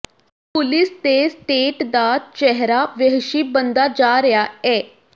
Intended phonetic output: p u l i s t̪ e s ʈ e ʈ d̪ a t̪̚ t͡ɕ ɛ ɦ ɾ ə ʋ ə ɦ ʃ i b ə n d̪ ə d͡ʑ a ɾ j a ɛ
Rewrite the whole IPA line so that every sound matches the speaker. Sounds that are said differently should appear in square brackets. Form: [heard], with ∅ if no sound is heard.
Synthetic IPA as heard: p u l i s t̪ e s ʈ e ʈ d̪ a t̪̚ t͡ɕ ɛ ɦ ɾ [a] ʋ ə ɦ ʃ i b ə n d̪ [a] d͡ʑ a ɾ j a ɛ